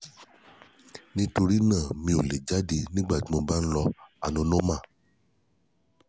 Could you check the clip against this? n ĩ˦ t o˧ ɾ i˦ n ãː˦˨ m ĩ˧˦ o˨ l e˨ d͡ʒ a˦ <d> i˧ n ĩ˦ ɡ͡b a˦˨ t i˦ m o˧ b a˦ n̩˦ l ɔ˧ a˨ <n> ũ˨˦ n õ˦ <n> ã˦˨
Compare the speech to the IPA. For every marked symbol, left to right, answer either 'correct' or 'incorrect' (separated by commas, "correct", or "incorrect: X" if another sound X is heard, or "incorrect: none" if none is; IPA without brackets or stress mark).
correct, correct, incorrect: m